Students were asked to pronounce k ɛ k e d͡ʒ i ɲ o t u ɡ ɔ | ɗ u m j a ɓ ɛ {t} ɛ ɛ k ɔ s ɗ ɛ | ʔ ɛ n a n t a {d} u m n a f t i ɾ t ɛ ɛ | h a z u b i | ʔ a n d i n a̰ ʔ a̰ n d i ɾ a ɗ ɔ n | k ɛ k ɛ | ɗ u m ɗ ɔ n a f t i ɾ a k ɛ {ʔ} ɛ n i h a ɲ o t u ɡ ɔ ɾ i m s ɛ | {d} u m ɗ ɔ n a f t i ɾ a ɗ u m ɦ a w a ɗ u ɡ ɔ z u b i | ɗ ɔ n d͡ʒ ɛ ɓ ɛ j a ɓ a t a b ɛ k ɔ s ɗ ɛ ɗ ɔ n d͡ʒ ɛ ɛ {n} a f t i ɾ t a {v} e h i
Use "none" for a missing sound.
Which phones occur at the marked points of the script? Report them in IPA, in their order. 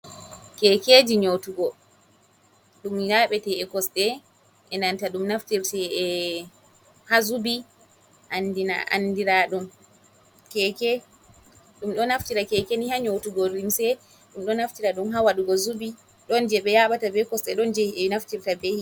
t, ɗ, k, ɗ, n, b

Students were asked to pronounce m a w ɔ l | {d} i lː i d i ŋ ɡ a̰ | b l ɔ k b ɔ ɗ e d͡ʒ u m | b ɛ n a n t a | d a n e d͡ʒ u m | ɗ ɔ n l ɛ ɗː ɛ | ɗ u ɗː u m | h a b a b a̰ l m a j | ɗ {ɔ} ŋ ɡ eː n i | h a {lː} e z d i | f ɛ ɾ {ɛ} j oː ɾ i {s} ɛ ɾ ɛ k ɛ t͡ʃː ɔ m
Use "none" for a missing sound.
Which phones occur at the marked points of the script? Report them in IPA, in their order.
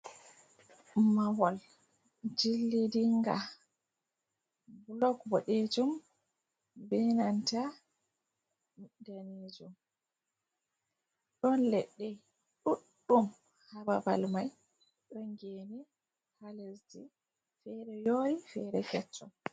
d͡ʒ, ɔ, l, ɛ, f

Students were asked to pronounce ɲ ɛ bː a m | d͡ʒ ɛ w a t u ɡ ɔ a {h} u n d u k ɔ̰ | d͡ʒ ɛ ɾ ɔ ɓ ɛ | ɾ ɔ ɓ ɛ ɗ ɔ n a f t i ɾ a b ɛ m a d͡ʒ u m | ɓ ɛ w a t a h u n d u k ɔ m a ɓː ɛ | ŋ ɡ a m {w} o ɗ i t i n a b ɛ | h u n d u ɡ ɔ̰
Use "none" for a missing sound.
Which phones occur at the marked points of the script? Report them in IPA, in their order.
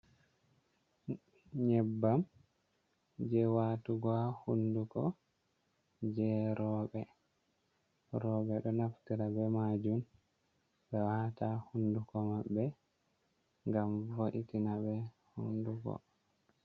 h, v

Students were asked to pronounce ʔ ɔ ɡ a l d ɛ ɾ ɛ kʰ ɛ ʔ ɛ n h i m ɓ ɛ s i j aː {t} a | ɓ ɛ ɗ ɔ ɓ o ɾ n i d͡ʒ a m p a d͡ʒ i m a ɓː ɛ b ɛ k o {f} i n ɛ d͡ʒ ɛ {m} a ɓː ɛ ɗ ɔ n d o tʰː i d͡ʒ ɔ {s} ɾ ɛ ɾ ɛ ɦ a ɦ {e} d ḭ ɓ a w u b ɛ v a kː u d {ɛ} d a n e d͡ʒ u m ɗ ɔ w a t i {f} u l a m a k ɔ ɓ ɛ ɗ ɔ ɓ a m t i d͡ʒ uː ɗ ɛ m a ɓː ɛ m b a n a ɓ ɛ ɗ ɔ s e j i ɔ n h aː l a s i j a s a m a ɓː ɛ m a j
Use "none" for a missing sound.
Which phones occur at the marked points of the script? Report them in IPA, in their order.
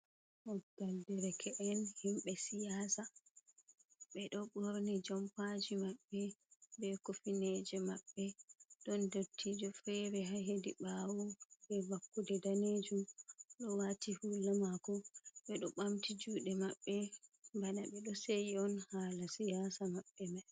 s, f, m, f, e, ɛ, h

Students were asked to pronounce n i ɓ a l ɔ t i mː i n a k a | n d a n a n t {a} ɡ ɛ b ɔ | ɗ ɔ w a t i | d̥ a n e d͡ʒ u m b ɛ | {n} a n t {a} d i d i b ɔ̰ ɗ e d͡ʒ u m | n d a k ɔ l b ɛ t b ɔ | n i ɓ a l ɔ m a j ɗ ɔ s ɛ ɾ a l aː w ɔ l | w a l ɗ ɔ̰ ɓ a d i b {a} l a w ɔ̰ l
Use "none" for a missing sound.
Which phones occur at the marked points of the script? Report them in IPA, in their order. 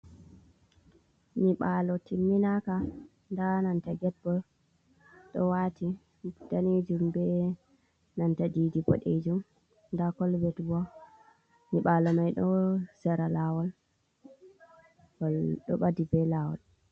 a, n, a, ɛ

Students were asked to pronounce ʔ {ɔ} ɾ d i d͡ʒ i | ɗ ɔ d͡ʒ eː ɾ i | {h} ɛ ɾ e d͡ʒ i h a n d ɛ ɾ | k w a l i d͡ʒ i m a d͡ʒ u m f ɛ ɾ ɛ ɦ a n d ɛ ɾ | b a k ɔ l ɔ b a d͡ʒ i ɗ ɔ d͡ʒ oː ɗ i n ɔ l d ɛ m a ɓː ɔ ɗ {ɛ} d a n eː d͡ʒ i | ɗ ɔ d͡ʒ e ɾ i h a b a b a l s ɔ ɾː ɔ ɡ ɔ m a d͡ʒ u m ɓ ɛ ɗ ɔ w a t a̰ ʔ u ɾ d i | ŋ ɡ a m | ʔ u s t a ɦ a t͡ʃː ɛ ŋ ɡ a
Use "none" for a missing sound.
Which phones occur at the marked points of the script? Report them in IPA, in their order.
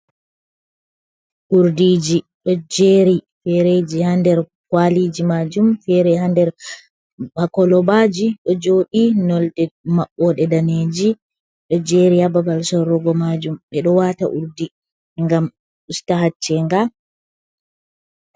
u, f, ɛ

